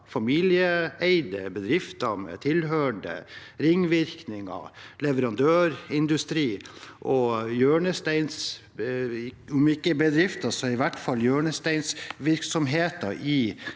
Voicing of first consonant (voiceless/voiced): voiceless